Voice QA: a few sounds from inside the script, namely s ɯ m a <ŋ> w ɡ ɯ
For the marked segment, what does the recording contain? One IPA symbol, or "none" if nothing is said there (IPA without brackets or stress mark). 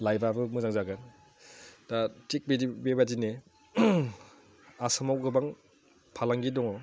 none